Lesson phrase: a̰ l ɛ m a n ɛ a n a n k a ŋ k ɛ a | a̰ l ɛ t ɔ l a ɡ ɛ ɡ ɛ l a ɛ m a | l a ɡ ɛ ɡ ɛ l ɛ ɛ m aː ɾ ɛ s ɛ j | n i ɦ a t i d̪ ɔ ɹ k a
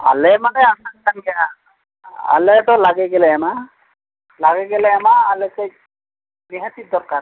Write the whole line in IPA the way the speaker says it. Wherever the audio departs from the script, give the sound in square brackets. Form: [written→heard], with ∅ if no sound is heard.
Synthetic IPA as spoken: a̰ l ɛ m a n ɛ a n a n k a [ŋ→n] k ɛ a | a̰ l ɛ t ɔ l a ɡ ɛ ɡ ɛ l [a→ɛ] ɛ m a | l a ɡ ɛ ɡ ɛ l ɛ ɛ m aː [ɾ→l] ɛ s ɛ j | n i ɦ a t i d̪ ɔ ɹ k a